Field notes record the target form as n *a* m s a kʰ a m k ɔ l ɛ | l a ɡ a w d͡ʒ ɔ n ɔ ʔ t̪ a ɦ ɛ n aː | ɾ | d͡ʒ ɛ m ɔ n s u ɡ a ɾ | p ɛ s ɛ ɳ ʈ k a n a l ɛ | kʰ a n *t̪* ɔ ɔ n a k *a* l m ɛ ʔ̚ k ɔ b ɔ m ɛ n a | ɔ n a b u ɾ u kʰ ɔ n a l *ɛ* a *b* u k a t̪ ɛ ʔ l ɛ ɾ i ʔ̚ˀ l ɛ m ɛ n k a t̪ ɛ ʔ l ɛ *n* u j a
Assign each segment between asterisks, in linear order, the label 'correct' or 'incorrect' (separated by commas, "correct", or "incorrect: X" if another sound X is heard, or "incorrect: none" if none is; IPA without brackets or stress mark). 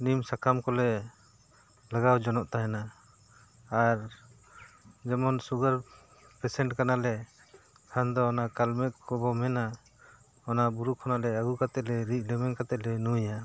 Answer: incorrect: i, incorrect: d̪, correct, correct, incorrect: ɡ, correct